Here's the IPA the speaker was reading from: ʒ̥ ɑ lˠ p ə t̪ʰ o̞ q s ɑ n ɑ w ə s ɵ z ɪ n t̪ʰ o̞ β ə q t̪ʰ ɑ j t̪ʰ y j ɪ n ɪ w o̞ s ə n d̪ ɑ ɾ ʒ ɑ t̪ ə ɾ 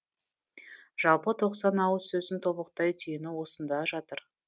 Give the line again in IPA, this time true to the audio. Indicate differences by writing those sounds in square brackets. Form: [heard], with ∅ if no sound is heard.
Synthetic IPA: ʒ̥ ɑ lˠ p ə t̪ʰ o̞ q s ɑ n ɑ w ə s ɵ z ɪ n t̪ʰ o̞ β ə q [t̪] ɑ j t̪ʰ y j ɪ n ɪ w o̞ s ə n d̪ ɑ [∅] ʒ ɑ t̪ ə ɾ